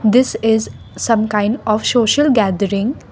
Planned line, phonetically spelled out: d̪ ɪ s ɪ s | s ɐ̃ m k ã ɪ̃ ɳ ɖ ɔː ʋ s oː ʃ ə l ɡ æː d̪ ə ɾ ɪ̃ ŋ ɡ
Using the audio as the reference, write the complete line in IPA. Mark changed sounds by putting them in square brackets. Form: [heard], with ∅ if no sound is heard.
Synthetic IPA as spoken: d̪ ɪ s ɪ [z] | s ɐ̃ m k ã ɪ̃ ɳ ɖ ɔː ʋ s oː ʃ ə l ɡ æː d̪ ə ɾ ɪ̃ ŋ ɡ